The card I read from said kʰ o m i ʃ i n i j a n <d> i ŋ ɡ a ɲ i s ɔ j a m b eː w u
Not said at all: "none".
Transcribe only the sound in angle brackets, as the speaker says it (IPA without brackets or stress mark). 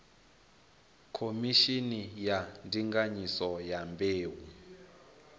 d